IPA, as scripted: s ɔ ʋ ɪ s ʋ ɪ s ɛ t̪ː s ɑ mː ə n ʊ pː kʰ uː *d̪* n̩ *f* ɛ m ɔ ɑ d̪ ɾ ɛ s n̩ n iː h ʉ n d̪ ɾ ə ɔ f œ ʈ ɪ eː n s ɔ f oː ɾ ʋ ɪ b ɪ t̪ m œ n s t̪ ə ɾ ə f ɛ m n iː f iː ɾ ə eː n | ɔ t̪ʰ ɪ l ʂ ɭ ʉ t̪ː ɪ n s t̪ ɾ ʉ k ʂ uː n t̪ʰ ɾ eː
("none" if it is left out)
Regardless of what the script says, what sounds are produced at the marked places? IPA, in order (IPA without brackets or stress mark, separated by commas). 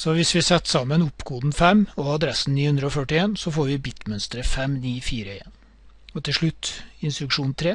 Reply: d̪, f